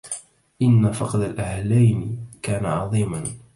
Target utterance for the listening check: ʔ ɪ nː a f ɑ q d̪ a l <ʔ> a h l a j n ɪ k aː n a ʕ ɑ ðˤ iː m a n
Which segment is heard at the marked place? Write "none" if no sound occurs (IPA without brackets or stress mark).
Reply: ʔ